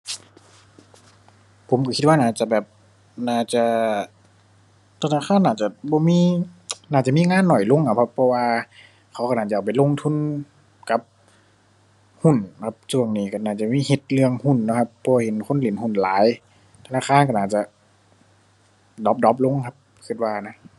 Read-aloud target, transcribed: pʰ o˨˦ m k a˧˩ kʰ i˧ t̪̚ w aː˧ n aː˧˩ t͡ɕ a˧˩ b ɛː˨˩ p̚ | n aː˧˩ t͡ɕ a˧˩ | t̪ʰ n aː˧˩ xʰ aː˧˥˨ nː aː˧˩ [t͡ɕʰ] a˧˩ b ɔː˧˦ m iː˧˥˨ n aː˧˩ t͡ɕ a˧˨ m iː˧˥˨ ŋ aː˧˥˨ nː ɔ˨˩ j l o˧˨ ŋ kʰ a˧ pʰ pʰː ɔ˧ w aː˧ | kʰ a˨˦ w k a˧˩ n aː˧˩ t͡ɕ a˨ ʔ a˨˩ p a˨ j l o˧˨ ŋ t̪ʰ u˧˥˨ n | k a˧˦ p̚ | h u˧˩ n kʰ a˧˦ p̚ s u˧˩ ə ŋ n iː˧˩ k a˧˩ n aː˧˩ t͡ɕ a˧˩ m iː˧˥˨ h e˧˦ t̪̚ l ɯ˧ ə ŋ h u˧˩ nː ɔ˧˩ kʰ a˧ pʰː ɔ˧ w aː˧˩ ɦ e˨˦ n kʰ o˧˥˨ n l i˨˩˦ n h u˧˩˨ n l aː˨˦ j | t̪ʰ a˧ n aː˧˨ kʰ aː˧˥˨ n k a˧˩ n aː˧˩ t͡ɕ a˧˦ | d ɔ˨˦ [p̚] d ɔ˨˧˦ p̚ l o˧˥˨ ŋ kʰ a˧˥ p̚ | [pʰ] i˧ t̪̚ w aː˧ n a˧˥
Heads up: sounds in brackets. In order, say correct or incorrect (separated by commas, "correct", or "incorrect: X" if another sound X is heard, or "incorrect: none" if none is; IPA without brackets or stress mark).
incorrect: t͡ɕ, correct, incorrect: kʰ